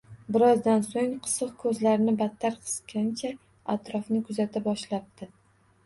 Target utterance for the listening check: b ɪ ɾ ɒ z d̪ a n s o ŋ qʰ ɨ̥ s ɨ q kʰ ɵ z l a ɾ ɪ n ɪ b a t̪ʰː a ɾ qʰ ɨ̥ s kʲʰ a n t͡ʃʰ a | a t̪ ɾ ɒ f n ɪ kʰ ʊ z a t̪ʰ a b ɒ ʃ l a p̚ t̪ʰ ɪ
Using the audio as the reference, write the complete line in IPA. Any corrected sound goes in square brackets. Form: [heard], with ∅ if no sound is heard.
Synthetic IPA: b ɪ ɾ ɒ z d̪ a n s o ŋ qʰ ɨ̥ s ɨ q kʰ ɵ z l a ɾ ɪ n ɪ b a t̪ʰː a ɾ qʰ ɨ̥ s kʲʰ a n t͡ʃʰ a | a t̪ ɾ ɒ f n ɪ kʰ ʊ z a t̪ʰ a b ɒ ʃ l a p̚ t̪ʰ ɪ